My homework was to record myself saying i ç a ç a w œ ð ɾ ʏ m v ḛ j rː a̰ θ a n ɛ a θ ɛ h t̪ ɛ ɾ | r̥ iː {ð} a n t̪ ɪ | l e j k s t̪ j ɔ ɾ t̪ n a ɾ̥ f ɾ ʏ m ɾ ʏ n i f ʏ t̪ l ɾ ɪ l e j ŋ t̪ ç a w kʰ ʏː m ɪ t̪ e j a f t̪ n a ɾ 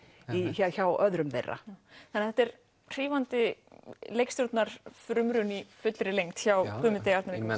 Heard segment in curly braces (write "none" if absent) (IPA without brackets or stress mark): v